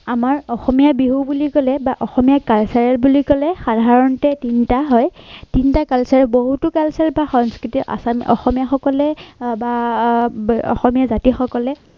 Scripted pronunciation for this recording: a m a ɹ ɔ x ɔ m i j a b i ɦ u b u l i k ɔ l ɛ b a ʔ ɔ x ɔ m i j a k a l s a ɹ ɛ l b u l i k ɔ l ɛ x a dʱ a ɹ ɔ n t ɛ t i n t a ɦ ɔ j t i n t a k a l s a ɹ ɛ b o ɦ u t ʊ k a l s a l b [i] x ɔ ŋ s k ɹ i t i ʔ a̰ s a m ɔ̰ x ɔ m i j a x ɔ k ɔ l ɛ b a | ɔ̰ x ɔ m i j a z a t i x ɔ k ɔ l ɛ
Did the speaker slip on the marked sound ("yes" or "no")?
yes